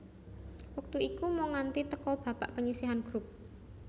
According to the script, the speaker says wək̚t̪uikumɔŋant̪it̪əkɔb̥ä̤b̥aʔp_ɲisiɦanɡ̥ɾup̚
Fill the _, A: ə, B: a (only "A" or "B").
A